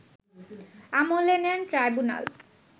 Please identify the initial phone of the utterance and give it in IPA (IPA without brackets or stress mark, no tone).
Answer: a